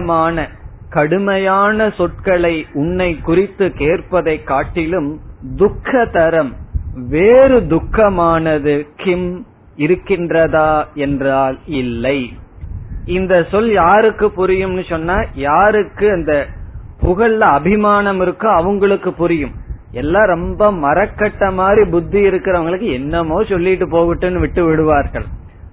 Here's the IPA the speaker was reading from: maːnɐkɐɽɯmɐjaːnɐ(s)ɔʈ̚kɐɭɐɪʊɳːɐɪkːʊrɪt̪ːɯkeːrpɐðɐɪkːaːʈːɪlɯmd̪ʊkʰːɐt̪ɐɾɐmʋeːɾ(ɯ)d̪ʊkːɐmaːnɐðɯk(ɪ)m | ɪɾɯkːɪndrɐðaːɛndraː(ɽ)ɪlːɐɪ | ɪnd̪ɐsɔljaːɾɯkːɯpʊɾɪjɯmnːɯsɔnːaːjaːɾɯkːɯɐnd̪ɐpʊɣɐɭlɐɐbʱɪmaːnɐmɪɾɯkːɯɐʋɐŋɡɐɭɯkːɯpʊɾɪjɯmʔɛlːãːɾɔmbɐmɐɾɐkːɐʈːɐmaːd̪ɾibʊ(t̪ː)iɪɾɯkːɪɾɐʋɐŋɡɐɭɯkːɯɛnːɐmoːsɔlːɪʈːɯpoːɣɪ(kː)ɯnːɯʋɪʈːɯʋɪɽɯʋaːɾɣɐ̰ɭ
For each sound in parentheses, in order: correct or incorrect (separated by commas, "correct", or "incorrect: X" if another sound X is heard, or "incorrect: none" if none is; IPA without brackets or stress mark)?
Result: correct, correct, correct, incorrect: l, incorrect: d̪ː, incorrect: ʈː